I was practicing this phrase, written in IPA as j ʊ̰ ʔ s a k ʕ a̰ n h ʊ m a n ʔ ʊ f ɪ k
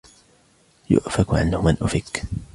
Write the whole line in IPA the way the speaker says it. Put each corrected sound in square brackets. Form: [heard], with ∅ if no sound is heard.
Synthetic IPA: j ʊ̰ ʔ [f] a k ʕ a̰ n h ʊ m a n ʔ ʊ f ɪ k